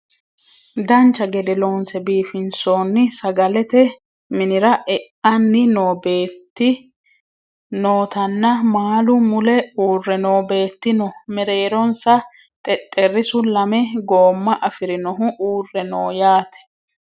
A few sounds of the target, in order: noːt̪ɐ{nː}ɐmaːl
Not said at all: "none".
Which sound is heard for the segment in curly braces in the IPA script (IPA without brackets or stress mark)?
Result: nː